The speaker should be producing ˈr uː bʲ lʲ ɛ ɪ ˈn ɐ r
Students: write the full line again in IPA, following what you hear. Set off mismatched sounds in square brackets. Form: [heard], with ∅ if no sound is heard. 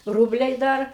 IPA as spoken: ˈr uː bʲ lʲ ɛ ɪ [ˈd] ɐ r